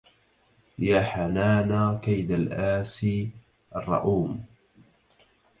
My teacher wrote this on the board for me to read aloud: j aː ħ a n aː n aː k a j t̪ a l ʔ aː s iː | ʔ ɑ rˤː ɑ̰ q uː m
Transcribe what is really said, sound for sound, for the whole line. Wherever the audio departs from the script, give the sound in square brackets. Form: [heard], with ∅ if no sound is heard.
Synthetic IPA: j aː ħ a n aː n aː k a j [d̪] a l ʔ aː s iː | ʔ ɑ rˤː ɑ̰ [ʔ] uː m